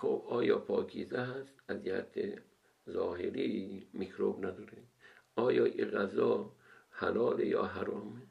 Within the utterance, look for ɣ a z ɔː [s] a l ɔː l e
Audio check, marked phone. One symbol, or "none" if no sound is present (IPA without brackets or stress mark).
h